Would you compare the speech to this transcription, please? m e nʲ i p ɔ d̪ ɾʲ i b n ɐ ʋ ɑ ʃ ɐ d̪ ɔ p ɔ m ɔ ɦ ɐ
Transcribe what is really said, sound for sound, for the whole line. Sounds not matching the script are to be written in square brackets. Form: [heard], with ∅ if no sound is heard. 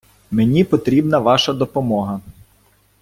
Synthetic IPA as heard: m e nʲ i p ɔ [t̪] ɾʲ i b n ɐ ʋ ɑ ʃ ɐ d̪ ɔ p ɔ m ɔ ɦ ɐ